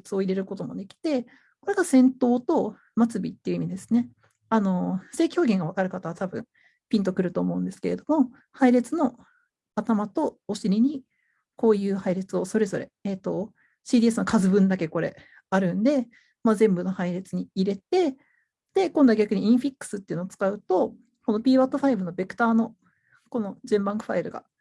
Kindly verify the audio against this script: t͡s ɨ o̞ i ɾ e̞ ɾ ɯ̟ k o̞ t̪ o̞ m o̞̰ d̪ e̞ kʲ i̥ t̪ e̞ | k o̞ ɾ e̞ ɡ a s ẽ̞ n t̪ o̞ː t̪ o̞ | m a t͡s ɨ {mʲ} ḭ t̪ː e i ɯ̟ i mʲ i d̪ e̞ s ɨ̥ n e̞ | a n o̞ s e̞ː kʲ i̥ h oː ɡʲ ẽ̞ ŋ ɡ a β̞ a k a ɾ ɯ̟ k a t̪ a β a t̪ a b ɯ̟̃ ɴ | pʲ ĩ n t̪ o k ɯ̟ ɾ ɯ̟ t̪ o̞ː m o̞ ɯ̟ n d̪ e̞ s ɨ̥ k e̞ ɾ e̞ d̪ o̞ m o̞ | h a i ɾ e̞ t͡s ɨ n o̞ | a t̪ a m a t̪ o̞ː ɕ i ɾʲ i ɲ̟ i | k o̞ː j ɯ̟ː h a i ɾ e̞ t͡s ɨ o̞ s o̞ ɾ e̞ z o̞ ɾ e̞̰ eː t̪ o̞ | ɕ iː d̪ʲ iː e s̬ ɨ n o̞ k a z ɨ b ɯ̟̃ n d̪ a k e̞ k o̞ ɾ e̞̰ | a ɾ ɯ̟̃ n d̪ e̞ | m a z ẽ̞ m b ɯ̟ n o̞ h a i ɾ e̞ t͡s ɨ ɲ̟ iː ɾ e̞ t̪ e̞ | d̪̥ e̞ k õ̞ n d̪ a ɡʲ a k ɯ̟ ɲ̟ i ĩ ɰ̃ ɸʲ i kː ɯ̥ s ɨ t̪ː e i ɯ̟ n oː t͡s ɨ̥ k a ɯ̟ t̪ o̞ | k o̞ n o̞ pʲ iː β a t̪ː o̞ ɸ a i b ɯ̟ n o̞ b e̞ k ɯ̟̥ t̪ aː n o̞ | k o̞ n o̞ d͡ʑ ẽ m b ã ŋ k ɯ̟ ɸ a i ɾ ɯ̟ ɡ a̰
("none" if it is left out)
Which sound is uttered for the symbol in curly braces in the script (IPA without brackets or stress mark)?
bʲ